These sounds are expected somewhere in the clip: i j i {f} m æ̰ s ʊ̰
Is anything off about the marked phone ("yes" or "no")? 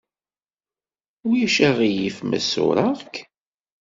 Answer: no